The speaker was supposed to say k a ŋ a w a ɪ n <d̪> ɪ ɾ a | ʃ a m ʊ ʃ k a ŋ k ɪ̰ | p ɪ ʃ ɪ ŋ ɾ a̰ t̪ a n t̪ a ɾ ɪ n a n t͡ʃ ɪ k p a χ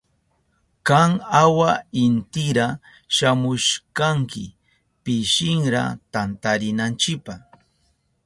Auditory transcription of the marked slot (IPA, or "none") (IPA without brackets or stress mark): t̪